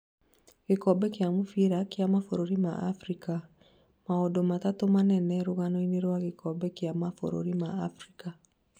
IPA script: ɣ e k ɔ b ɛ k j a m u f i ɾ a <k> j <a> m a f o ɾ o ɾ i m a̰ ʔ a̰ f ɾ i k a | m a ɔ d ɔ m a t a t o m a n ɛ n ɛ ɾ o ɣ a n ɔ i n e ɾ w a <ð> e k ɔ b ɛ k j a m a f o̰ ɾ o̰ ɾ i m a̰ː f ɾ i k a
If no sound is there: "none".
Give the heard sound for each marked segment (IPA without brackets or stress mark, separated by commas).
k, a, ɣ